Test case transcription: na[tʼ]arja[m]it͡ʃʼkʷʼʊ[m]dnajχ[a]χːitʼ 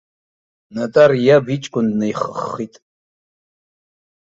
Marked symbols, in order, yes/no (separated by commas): yes, no, no, no